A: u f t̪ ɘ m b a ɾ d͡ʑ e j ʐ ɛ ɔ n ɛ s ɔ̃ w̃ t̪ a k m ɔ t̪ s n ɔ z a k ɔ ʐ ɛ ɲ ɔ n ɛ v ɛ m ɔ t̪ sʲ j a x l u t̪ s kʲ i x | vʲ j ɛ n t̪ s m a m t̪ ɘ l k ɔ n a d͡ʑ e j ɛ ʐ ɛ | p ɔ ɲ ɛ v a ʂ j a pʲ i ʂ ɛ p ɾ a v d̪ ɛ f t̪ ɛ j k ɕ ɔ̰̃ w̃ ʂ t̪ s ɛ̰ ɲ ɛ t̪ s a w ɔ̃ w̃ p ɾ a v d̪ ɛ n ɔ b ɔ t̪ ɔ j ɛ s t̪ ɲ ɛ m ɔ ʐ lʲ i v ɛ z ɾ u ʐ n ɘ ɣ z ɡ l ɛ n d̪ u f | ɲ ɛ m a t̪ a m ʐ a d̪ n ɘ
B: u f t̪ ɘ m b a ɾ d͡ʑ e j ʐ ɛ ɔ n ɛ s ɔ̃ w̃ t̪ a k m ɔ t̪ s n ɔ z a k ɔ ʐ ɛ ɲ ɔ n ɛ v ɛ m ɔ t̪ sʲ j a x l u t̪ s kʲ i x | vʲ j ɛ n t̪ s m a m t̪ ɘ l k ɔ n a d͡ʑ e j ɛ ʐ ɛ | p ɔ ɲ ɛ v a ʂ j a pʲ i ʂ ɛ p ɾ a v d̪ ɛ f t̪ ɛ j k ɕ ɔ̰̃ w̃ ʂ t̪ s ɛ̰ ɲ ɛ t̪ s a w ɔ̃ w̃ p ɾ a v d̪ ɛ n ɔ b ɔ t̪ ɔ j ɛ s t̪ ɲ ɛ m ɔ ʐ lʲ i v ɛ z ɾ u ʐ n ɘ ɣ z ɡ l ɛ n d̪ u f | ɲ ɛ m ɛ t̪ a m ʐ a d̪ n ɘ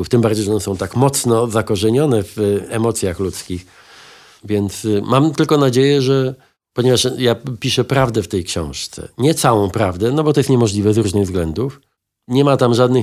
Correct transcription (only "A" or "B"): A